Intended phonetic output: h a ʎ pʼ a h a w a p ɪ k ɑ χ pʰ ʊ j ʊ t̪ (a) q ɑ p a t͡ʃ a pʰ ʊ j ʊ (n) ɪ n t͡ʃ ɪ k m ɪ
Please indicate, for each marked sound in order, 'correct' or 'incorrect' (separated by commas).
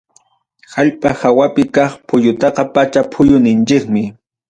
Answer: incorrect, correct